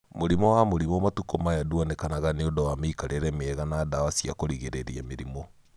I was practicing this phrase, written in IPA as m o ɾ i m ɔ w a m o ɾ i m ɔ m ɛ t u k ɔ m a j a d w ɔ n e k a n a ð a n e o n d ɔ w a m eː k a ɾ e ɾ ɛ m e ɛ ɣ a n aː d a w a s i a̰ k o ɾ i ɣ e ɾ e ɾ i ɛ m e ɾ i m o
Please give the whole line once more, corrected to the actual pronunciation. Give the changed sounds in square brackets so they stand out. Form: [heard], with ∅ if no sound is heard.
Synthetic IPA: m o ɾ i m ɔ w a m o ɾ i m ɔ m [a] t u k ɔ m a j a d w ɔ n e k a n a [ɣ] a n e o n d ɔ w a m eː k a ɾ e ɾ ɛ m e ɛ ɣ a n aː d a w a s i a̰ k o ɾ i ɣ e ɾ e ɾ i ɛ m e ɾ i m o

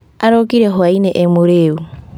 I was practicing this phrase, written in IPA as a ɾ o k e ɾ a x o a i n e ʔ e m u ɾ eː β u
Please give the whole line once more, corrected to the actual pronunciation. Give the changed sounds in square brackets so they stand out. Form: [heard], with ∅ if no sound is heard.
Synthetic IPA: a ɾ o k [i] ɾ [e] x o a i n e ʔ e m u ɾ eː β u

